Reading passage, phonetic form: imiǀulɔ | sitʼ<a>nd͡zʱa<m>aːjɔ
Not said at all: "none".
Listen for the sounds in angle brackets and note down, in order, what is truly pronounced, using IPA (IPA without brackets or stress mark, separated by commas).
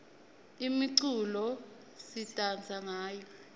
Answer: a, ŋ